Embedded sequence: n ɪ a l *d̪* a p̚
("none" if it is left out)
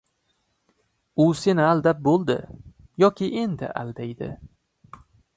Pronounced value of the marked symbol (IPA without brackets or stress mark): d̪